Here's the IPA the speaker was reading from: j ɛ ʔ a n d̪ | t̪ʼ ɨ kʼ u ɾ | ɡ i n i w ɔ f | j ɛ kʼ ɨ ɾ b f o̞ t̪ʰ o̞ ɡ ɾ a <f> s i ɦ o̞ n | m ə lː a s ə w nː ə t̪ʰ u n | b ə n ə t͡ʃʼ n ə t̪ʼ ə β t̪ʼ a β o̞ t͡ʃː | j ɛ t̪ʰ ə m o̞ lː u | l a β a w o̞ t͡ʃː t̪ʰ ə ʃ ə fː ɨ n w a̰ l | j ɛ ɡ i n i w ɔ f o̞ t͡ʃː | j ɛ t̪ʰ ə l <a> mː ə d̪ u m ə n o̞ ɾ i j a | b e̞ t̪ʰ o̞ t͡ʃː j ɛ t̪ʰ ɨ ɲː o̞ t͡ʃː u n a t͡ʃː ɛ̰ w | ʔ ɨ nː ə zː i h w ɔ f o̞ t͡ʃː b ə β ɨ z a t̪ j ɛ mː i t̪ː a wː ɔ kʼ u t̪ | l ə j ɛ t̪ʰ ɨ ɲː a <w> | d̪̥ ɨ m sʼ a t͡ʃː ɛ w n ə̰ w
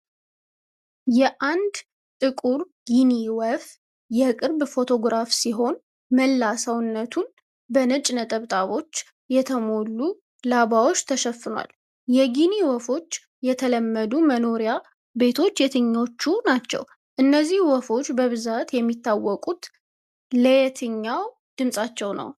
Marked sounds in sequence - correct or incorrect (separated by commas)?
correct, incorrect, correct